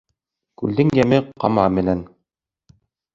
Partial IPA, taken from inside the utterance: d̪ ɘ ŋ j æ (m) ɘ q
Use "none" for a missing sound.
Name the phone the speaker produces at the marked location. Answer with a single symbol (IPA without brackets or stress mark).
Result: m